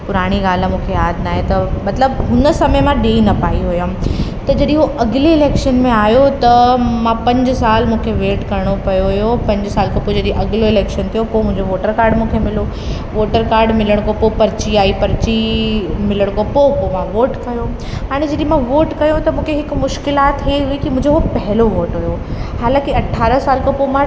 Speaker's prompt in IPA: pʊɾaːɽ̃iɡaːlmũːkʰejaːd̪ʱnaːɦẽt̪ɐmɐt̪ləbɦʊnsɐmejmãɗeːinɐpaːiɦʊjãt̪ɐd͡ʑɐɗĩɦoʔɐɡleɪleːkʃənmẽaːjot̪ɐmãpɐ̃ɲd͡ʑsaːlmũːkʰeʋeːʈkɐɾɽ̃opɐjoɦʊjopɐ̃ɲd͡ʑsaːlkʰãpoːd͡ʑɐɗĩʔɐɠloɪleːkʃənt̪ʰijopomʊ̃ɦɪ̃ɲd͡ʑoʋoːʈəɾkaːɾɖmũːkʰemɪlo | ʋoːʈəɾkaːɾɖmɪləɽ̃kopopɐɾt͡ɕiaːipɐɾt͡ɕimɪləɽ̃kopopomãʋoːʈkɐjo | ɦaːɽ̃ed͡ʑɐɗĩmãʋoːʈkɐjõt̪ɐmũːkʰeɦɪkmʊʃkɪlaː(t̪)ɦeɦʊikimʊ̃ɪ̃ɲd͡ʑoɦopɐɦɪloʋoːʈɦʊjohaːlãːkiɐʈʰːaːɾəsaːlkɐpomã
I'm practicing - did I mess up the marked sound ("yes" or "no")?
no